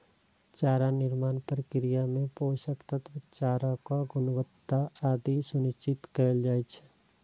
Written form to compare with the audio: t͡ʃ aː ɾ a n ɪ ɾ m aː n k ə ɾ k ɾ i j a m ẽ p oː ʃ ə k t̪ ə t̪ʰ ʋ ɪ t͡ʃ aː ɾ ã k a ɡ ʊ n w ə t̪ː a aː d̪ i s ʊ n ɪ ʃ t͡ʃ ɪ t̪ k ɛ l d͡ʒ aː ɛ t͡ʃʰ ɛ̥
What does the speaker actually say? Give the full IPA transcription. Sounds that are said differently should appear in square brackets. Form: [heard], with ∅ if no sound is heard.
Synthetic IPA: t͡ʃ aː ɾ a n ɪ ɾ m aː n [p] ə ɾ k ɾ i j a m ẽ p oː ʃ ə k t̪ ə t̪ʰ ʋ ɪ t͡ʃ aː ɾ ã k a ɡ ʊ n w ə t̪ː a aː d̪ i s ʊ n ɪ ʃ t͡ʃ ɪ t̪ k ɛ l d͡ʒ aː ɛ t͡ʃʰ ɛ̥